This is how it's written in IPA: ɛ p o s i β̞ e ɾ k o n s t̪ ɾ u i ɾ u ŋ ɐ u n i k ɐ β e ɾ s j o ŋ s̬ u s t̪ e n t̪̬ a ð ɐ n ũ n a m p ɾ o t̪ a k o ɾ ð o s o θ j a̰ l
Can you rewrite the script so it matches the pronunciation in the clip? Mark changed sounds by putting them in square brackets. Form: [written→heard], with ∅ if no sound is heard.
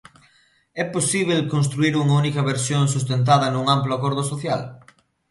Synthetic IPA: ɛ p o s i β̞ e [ɾ→l] k o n s t̪ ɾ u i ɾ u ŋ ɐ u n i k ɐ β e ɾ s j o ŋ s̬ u s t̪ e n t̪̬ a ð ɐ n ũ [n→ŋ] a m p [ɾ→l] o [t̪→∅] a k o ɾ ð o s o θ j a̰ l